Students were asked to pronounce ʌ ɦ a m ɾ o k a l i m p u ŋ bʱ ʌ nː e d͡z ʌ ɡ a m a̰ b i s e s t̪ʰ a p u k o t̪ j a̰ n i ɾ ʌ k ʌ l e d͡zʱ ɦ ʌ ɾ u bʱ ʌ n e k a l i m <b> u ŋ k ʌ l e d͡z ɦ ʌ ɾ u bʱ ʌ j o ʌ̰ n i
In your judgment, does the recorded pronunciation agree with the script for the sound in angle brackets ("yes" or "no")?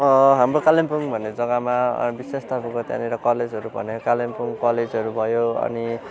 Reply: no